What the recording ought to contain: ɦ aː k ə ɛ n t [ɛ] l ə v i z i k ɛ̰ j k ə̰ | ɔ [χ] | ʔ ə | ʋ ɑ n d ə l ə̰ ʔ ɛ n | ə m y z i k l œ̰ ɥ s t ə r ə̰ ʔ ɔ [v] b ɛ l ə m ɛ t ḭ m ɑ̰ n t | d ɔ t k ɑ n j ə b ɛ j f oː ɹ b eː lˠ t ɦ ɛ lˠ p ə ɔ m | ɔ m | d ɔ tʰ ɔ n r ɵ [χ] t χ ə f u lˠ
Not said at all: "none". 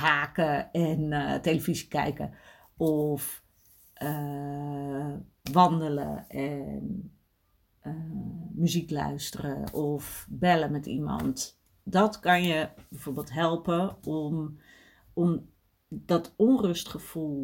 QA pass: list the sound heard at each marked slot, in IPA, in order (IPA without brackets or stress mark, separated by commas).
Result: e, f, f, s